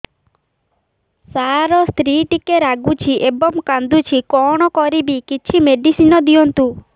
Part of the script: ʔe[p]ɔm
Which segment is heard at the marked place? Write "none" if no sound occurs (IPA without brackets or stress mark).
b